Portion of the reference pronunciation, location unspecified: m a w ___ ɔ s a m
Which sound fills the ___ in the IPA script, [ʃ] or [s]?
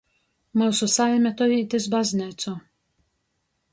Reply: s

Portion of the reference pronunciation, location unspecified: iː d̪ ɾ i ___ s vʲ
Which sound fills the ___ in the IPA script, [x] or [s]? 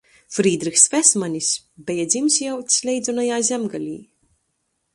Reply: x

